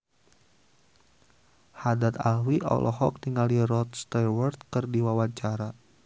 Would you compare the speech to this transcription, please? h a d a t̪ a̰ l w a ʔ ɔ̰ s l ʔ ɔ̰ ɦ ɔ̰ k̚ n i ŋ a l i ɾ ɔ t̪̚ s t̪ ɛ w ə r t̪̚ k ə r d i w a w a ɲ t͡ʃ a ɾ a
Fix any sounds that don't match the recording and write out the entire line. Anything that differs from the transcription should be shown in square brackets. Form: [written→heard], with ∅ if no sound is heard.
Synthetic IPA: h a d a t̪ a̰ l w [a→i] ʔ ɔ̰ [s→∅] l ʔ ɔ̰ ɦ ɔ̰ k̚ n i ŋ a l i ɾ ɔ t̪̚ s t̪ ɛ w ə r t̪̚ k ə r d i w a w a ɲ t͡ʃ a ɾ a